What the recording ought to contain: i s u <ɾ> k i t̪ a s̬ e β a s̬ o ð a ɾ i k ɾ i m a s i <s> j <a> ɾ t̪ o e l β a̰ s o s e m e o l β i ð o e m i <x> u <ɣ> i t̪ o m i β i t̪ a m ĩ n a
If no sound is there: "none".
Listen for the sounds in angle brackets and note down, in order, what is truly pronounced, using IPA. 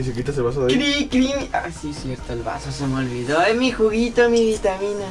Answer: none, s, e, x, ɣ

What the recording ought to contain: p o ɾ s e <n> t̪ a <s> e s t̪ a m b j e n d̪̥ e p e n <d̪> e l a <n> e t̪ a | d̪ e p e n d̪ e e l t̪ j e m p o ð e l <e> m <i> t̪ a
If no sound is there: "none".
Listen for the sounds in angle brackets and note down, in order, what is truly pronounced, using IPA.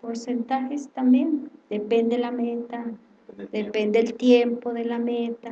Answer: n, x, d̪, m, a, e

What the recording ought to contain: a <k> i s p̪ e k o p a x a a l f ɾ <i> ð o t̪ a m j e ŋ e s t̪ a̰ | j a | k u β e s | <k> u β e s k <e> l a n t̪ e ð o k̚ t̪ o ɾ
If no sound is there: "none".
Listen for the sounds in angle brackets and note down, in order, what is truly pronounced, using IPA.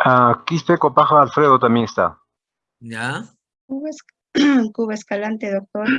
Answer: k, e, k, a

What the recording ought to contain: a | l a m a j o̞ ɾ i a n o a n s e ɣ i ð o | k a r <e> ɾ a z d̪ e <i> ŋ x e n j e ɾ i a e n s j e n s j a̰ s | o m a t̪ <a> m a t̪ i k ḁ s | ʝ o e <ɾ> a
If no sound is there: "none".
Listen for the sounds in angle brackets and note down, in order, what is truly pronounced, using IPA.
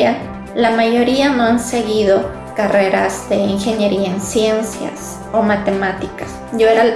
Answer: e, i, e, ɾ

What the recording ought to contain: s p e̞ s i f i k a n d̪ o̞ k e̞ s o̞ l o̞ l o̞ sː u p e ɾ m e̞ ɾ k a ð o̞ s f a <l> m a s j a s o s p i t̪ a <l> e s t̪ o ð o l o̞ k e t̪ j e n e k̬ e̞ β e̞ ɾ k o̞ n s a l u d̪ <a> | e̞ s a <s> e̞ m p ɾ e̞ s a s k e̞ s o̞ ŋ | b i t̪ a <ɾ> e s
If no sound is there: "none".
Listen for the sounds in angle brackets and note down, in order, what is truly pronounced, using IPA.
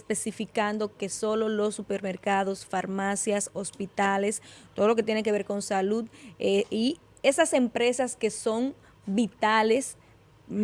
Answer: ɾ, l, i, s, l

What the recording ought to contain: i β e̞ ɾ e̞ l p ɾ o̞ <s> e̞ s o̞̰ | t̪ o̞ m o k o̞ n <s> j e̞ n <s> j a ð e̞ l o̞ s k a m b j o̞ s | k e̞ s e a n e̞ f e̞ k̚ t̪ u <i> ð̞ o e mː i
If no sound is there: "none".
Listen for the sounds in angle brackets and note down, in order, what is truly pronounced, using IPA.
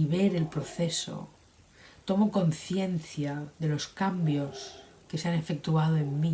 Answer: θ, θ, θ, a

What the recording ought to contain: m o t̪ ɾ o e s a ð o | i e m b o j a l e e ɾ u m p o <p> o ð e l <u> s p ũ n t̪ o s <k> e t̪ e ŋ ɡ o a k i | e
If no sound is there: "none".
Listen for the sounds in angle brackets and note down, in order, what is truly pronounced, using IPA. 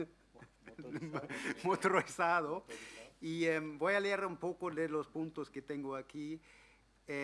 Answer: k, o, k

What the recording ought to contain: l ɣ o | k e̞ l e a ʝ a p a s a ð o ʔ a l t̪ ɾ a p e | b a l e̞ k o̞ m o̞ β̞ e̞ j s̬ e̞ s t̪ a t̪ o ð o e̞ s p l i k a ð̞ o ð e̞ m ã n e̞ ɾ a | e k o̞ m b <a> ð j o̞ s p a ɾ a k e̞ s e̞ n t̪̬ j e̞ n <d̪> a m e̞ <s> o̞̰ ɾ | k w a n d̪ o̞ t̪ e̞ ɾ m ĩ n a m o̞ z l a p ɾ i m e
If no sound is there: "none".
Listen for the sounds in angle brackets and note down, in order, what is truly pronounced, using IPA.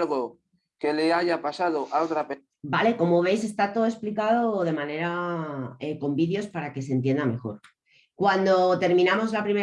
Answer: i, d̪, x

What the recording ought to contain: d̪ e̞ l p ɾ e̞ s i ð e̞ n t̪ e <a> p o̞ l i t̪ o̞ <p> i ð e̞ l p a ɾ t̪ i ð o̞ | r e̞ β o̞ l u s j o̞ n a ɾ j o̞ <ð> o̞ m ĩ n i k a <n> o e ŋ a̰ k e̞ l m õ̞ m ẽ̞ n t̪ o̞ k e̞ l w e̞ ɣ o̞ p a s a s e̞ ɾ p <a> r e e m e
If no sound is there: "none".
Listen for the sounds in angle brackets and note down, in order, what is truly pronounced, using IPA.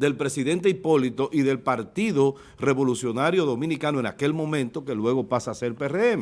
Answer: i, ʔ, ð, n, e

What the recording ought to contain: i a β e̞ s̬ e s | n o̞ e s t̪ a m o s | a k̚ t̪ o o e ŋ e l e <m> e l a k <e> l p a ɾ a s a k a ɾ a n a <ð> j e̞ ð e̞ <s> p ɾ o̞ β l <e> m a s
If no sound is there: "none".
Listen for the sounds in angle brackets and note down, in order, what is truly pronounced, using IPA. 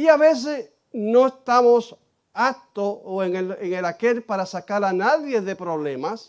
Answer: ŋ, e, ð, none, e

